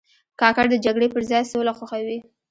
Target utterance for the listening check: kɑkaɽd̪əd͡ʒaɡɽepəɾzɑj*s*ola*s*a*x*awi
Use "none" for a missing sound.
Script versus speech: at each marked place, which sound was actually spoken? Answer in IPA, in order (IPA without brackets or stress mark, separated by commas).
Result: s, x, x